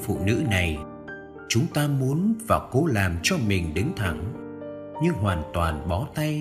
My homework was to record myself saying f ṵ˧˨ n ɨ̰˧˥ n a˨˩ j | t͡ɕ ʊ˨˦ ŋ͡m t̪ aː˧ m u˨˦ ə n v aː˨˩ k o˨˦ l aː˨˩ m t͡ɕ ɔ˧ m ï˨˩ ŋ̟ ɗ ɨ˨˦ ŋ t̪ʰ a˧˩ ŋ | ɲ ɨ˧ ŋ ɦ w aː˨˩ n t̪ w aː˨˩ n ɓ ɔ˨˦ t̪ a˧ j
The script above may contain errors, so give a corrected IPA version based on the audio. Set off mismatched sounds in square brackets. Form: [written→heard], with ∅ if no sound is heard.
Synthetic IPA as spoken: f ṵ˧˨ n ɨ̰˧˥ n a˨˩ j | t͡ɕ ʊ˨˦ ŋ͡m t̪ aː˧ m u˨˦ ə n v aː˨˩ k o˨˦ l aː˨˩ m t͡ɕ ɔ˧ m ï˨˩ ŋ̟ ɗ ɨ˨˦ ŋ t̪ʰ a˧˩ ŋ | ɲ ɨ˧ ŋ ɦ w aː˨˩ n t̪ w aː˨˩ n ɓ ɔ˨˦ t̪ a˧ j